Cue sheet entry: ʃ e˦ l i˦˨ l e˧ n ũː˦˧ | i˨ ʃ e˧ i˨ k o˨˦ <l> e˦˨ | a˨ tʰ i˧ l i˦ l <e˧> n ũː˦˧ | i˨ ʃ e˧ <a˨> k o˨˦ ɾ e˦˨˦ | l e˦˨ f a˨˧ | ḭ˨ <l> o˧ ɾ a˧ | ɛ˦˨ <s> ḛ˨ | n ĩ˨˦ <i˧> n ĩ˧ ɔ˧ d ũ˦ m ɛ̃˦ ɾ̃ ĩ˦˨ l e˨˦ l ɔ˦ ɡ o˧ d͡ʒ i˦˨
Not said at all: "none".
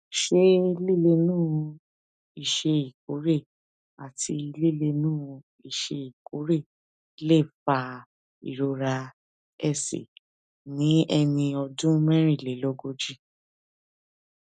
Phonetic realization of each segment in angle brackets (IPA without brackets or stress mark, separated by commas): ɾ, e˧, i˨, ɾ, s, ɛ˧